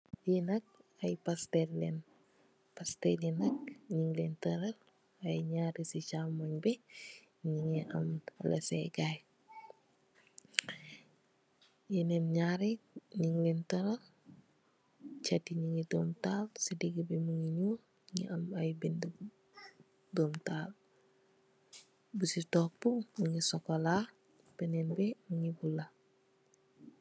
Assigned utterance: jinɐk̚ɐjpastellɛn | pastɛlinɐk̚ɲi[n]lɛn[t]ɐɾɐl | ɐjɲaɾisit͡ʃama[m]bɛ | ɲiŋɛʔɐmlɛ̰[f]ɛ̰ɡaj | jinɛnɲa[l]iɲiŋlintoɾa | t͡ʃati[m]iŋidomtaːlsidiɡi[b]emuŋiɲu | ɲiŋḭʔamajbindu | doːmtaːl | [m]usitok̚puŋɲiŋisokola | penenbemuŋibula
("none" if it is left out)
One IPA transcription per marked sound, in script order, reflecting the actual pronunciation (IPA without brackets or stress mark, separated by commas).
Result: ŋ, t, ɲ, s, ɾ, ɲ, b, b